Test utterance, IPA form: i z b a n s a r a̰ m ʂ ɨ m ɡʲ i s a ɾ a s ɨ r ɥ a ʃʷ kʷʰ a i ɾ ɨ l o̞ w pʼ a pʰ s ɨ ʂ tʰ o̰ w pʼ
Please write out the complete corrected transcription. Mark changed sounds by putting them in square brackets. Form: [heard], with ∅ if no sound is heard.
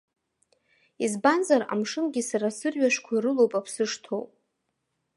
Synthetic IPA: i z b a n [z] a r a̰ m ʂ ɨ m ɡʲ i s a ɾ a s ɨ r ɥ a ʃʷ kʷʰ a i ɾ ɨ l o̞ w pʼ a pʰ s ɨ ʂ tʰ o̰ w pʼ